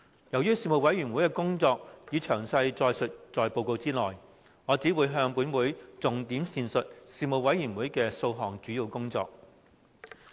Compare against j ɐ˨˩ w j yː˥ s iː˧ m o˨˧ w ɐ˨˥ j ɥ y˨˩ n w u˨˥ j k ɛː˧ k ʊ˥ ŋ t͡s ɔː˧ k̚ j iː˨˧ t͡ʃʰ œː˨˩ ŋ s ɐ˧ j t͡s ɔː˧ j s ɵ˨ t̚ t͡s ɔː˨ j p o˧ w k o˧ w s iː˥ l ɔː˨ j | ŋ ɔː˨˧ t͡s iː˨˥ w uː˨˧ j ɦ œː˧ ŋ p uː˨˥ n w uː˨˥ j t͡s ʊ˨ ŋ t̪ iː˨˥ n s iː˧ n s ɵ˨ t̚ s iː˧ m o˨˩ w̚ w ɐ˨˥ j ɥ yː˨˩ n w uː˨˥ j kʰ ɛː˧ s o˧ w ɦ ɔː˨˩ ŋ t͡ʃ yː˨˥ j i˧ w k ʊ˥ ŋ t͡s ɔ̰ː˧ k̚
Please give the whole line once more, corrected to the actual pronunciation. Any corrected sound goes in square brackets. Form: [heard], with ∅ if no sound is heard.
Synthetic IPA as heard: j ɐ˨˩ w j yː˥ s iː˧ m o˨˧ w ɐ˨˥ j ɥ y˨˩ n w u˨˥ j k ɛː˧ k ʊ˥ ŋ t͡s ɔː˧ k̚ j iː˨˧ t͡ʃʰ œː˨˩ ŋ s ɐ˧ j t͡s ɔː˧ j s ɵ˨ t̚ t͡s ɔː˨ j p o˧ w k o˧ w [t͡s] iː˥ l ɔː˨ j | ŋ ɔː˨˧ t͡s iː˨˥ w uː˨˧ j ɦ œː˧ ŋ p uː˨˥ n w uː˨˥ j t͡s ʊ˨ ŋ t̪ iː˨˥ [m] s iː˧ n s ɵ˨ t̚ s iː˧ m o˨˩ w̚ w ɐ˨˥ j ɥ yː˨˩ n w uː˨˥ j [k] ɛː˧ s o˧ w ɦ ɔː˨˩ ŋ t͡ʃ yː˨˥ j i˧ w k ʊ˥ ŋ t͡s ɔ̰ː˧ k̚